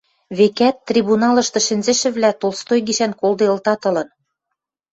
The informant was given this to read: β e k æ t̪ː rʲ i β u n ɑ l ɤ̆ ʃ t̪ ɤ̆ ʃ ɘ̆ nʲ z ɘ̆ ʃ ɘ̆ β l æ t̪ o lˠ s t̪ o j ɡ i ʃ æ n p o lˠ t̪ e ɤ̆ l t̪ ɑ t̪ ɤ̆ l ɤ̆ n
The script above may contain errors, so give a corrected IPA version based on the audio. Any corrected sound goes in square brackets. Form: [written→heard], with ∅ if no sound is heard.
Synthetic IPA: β e k æ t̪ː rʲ i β u n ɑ l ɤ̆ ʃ t̪ ɤ̆ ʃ ɘ̆ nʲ z ɘ̆ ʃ ɘ̆ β l æ t̪ o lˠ s t̪ o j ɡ i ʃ æ n [p→k] o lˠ [t̪→d̪] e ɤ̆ l t̪ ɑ t̪ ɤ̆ l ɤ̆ n